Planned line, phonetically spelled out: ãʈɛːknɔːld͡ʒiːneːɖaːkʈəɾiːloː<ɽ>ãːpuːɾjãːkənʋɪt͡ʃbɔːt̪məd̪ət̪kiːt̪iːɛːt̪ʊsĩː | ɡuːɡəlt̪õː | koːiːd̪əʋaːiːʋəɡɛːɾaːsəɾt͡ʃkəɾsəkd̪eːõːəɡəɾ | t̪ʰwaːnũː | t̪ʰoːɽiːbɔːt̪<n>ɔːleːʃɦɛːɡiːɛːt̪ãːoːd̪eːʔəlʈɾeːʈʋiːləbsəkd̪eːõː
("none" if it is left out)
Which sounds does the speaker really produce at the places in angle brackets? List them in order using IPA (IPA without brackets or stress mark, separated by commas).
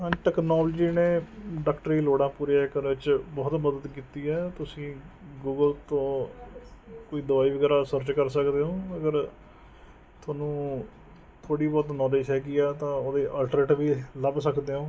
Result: ɽ, n